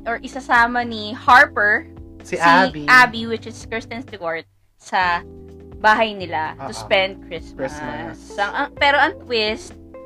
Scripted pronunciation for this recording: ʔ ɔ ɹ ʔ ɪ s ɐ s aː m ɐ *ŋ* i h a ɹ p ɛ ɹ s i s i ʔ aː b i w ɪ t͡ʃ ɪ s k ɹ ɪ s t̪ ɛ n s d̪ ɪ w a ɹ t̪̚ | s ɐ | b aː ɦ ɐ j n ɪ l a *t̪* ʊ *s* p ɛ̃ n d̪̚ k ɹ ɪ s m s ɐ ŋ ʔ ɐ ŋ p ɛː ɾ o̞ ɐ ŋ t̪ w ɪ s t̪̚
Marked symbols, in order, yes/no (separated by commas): no, yes, yes